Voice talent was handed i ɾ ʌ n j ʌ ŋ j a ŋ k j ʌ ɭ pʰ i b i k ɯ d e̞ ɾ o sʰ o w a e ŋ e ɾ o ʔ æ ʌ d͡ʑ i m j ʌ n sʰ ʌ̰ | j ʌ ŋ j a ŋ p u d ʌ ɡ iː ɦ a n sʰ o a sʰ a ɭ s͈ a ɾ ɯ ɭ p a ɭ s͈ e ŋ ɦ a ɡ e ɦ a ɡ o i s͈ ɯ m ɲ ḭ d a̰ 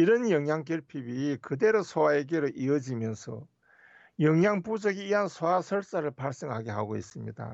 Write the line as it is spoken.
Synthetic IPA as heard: i ɾ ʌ n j ʌ ŋ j a ŋ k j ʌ ɭ pʰ i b i k ɯ d e̞ ɾ o sʰ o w a e ɡ e ɾ o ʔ i ʌ d͡ʑ i m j ʌ n sʰ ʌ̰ | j ʌ ŋ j a ŋ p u d͡ʑ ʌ ɡ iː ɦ a n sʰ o a sʰ ʌ ɭ s͈ a ɾ ɯ ɭ p a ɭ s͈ e ŋ ɦ a ɡ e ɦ a ɡ o i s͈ ɯ m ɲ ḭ d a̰